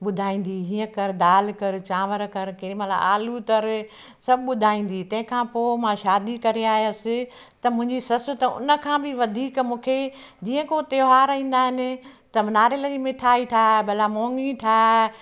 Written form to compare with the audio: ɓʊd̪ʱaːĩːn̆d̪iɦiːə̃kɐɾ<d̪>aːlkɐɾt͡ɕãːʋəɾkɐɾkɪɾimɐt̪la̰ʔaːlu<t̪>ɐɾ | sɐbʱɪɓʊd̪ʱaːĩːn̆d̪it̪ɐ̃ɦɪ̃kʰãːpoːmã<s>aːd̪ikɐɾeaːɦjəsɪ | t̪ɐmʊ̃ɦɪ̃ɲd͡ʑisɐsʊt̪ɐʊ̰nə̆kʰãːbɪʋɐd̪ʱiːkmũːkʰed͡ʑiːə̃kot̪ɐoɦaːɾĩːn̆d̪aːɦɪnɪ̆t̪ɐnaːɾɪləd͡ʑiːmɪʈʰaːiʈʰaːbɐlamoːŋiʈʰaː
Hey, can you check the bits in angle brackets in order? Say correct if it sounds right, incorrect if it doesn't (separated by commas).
correct, correct, incorrect